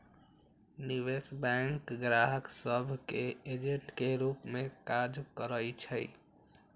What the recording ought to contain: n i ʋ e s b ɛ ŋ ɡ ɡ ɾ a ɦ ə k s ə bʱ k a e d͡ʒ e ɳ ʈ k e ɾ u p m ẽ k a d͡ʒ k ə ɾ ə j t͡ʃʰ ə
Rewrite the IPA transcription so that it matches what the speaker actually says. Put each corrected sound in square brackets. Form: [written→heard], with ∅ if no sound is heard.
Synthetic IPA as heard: n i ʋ e s b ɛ ŋ [ɡ→k] ɡ ɾ a ɦ ə k s ə bʱ k [a→e] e d͡ʒ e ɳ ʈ k e ɾ u p m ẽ k a d͡ʒ k ə ɾ ə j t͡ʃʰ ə